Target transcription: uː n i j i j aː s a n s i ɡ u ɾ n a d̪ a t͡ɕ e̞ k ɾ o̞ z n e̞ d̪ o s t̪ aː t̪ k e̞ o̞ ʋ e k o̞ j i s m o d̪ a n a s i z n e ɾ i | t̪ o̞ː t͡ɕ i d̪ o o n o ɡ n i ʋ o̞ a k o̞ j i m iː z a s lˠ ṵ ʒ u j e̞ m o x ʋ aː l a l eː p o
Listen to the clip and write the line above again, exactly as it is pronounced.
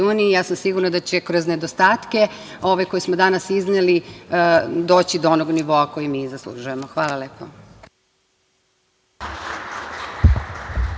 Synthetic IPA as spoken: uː n i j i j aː s a m s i ɡ u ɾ n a d̪ a t͡ɕ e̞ k ɾ o̞ z n e̞ d̪ o s t̪ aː t̪ k e̞ o̞ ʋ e k o̞ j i s m o d̪ a n a s i z n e l i | d̪ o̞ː t͡ɕ i d̪ o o n o ɡ n i ʋ o̞ a k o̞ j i m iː z a s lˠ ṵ ʒ u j e̞ m o x ʋ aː l a l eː p o